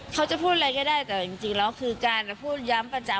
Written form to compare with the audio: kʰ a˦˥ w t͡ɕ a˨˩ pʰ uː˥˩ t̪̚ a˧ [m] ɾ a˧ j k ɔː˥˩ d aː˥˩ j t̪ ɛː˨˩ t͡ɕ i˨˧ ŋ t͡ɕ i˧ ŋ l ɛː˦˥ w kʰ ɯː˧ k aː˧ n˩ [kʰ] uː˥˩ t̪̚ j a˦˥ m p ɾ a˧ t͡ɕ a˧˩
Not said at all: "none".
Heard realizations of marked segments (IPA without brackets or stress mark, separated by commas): none, pʰ